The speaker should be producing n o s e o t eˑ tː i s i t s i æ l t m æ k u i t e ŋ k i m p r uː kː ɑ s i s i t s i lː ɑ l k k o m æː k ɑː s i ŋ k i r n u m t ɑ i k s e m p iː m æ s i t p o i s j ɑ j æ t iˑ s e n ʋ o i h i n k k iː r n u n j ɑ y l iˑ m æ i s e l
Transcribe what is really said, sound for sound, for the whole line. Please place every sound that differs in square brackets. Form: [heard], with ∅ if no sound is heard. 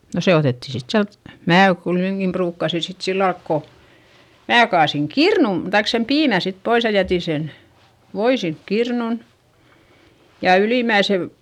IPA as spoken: n o s e o t eˑ tː i s i t s i æ l t m [æː] k u i t e ŋ k i m p r uː kː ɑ s i s i t s i lː ɑ l k k o m æː k ɑː s i ŋ k i r n u m t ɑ i k s e m p iː m æ s i t p o i s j ɑ j æ t iˑ s e n ʋ o i [s] i n k k [i] r n u n j ɑ y l iˑ m æ i s e l